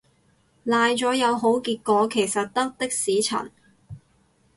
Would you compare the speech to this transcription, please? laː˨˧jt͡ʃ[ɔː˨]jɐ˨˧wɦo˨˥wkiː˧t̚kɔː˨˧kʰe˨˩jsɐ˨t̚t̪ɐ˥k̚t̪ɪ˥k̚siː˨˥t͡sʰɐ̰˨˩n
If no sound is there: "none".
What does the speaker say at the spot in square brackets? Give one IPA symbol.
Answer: ɔː˨˥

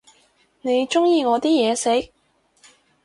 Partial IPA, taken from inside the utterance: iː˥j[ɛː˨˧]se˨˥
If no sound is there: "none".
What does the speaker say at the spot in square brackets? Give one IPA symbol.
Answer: ɛː˨˧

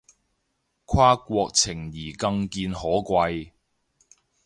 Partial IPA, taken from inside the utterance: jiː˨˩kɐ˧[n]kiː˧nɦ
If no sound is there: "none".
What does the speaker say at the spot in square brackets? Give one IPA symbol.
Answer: ŋ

